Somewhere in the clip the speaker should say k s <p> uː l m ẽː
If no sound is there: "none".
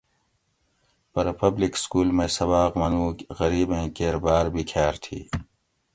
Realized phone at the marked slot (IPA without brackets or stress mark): k